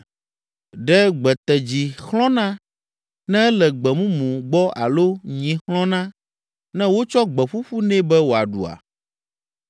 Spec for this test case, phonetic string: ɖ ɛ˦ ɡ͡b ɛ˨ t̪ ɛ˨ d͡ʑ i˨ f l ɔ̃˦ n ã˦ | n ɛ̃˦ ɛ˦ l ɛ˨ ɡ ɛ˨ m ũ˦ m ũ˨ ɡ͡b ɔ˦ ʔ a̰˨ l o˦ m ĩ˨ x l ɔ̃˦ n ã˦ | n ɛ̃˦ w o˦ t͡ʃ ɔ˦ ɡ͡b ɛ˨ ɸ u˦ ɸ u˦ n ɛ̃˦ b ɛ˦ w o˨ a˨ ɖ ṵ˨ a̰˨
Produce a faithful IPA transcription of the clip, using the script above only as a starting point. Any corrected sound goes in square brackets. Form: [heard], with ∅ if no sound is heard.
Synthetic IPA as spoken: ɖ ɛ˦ ɡ͡b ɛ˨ t̪ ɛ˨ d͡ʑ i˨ [x] l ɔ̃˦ n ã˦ | n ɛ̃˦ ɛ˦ l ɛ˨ [ɡ͡b] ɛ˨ m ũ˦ m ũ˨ ɡ͡b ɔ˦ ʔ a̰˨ l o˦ [ɲ] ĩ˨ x l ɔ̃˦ n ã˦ | n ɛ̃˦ w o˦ t͡ʃ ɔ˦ ɡ͡b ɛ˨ ɸ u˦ ɸ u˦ n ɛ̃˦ b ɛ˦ w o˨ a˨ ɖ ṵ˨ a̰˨

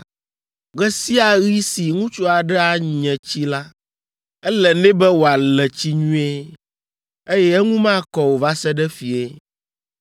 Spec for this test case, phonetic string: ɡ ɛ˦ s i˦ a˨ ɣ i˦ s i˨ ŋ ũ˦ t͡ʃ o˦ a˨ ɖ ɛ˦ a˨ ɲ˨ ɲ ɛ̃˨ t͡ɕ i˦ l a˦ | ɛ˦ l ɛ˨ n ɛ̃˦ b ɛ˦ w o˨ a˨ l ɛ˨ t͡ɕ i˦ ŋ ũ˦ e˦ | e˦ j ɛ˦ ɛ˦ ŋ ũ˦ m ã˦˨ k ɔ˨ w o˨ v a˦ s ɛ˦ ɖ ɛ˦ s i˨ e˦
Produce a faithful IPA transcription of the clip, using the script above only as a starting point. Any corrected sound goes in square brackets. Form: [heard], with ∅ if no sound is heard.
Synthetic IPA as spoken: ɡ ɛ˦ s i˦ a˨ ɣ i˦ s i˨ ŋ ũ˦ t͡ʃ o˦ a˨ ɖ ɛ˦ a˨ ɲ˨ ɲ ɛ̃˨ t͡ɕ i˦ l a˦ | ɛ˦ l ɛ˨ n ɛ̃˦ b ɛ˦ w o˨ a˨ l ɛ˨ t͡ɕ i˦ [ɲ] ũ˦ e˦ | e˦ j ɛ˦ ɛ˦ ŋ ũ˦ m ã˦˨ k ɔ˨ w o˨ v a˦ s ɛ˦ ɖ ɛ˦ [f] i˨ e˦

